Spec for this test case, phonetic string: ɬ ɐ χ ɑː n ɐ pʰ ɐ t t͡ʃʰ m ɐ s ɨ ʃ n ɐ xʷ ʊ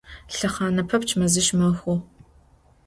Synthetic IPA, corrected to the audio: ɬ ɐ χ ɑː n ɐ pʰ ɐ p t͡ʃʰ m ɐ z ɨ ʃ m ɐ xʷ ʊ